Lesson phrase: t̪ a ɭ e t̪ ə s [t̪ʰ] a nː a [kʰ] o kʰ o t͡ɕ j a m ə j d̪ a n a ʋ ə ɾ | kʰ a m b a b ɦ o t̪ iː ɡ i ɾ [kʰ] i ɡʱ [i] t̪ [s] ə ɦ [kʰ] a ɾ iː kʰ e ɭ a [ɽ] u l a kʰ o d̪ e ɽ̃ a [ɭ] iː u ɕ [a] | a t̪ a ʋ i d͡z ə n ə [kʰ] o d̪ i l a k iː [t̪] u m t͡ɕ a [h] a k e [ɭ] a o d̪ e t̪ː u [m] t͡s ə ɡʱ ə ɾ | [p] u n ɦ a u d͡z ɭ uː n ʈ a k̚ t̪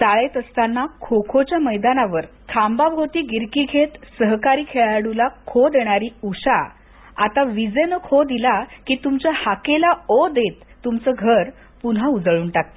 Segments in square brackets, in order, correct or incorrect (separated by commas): incorrect, correct, incorrect, incorrect, correct, incorrect, correct, incorrect, correct, correct, correct, correct, incorrect, correct, correct